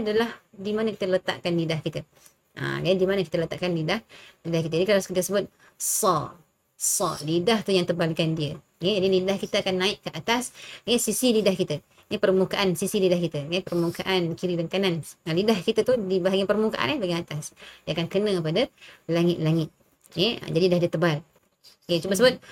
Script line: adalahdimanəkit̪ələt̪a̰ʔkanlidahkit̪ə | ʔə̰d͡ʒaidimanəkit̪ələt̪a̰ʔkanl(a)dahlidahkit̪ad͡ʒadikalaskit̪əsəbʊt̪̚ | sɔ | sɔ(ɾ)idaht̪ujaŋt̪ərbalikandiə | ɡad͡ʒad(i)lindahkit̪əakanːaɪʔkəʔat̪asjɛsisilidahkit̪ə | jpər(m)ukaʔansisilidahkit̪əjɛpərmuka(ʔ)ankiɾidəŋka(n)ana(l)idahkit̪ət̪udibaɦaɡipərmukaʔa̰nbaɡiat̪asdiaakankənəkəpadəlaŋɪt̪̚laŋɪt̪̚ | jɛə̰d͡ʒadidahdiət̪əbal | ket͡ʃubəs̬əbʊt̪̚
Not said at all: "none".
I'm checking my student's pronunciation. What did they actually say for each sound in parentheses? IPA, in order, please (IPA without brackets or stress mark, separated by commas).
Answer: i, l, i, m, ʔ, n, l